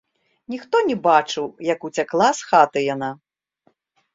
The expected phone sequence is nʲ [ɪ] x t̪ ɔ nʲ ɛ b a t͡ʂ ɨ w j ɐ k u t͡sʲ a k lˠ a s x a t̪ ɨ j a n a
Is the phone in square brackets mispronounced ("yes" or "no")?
yes